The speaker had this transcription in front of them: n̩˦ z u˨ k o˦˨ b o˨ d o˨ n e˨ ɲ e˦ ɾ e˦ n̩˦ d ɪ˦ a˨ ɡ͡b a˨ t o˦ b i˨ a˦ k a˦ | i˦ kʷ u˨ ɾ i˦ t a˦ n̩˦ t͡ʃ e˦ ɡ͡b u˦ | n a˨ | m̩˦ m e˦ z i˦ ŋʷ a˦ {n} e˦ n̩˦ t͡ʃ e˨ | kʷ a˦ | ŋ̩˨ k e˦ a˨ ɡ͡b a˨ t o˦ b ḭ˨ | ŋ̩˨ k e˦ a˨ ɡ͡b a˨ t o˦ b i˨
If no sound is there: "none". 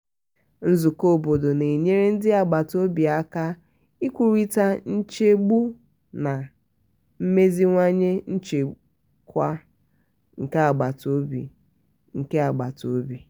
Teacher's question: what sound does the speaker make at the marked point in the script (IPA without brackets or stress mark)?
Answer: ɲ